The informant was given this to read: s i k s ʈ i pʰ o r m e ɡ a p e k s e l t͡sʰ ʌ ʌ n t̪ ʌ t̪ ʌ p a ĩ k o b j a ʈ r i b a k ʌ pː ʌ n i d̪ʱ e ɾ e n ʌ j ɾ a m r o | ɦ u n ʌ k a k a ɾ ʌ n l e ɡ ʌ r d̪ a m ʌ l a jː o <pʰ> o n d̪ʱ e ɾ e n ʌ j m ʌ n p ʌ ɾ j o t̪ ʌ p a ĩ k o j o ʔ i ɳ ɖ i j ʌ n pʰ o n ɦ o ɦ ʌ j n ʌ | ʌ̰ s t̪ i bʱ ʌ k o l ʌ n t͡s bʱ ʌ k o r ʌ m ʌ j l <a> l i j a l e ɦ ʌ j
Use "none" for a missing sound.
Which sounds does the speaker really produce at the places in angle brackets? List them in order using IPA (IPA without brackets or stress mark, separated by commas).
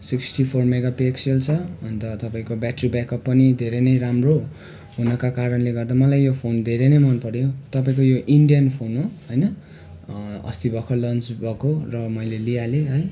pʰ, e